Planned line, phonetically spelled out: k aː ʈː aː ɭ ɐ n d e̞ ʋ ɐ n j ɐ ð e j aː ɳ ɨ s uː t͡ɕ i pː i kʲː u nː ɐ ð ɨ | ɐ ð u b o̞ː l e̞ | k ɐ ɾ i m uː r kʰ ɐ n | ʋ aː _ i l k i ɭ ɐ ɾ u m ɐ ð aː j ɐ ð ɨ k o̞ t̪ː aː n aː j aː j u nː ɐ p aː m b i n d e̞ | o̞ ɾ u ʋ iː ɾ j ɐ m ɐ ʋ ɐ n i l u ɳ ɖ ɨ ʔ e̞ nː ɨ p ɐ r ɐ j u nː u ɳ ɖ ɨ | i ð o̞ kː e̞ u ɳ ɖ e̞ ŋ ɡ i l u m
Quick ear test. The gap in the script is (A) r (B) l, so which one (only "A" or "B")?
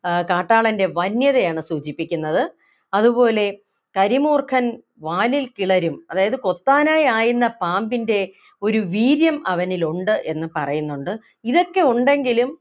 B